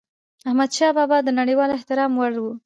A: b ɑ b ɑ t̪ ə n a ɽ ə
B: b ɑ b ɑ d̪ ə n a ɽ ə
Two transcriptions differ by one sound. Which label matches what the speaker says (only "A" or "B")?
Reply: B